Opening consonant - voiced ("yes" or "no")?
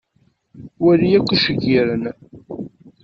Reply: yes